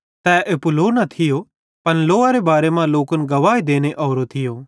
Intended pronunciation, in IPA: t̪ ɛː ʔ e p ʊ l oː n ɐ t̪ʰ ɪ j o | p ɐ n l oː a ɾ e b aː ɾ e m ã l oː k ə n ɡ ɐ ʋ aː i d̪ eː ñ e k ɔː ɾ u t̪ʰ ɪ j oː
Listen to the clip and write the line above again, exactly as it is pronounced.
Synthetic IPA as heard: t̪ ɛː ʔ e p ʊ l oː n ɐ t̪ʰ ɪ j o | p ɐ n l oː a ɾ e b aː ɾ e m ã l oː k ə n ɡ ɐ ʋ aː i d̪ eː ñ e ʔ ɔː ɾ o t̪ʰ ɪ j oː